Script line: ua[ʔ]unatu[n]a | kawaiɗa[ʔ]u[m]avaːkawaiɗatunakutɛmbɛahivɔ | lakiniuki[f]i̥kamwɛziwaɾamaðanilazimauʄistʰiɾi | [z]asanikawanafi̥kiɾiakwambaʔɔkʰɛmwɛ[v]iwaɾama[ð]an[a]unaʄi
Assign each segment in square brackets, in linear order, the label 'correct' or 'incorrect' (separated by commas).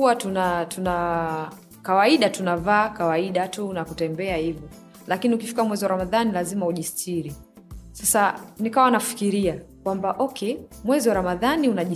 incorrect, correct, incorrect, incorrect, correct, incorrect, incorrect, correct, incorrect